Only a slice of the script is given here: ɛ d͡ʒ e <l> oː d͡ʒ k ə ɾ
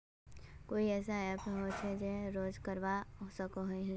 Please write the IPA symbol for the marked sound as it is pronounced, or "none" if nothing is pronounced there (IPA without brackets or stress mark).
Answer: ɾ